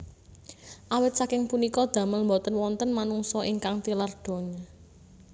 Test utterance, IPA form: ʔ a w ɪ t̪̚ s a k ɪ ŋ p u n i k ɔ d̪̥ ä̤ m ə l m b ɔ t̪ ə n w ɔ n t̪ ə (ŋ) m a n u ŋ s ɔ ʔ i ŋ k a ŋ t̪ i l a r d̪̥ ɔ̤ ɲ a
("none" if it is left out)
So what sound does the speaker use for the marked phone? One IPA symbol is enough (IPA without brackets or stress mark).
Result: n